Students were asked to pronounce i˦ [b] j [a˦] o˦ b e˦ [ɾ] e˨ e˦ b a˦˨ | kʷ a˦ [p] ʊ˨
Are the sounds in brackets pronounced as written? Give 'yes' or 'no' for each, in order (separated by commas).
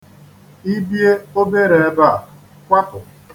yes, no, yes, yes